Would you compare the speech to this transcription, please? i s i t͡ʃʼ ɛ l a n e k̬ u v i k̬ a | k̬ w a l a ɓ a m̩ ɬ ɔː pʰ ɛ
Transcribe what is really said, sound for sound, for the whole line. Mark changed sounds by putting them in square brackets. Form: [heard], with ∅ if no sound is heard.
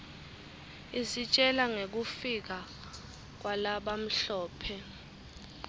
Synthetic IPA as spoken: i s i t͡ʃʼ ɛ l a [ŋ] e k̬ u [f] i k̬ a | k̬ w a l a ɓ a m̩ ɬ ɔː pʰ ɛ